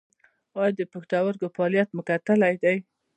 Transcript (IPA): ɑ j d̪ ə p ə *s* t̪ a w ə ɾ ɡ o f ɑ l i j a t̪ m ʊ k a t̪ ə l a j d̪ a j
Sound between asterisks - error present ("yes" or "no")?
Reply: yes